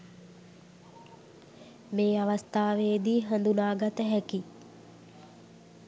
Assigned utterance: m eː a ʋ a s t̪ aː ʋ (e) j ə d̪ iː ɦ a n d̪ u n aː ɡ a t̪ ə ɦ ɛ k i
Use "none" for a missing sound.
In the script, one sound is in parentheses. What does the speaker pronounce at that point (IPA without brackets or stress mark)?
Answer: e